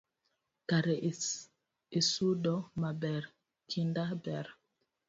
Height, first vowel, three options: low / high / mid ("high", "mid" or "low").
low